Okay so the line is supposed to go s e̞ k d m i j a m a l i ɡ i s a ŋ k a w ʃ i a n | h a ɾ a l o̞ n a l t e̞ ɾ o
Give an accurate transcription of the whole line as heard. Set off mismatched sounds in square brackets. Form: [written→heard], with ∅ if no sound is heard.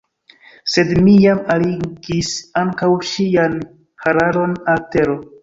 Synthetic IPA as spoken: s e̞ [k→∅] d m i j a m a l i ɡ i s a ŋ k a w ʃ i a n | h a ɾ a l o̞ n a l t e̞ ɾ o